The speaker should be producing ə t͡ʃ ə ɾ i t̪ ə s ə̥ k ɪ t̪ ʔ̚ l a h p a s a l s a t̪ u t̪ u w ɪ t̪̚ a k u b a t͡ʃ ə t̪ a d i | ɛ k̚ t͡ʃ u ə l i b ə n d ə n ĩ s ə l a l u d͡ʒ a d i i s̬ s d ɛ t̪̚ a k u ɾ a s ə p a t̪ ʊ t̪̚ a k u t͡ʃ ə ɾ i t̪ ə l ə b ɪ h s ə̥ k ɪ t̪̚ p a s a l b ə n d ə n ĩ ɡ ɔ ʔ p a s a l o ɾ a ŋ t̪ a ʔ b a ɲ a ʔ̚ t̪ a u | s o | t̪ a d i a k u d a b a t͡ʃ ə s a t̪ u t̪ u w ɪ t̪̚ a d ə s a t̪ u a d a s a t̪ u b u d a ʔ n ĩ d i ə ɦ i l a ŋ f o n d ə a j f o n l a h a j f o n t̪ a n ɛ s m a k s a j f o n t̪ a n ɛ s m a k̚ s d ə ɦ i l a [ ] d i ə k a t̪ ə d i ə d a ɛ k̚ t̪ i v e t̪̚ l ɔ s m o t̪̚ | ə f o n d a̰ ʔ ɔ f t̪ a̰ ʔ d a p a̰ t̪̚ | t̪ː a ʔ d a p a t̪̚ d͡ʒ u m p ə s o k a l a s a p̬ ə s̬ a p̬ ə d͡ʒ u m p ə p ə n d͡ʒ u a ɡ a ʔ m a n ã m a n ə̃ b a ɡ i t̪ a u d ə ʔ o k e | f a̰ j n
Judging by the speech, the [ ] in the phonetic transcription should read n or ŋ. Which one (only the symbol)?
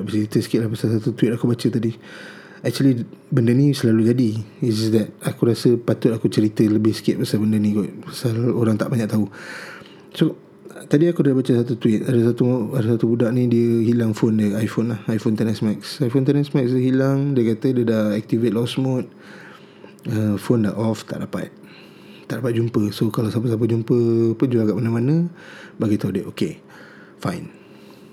ŋ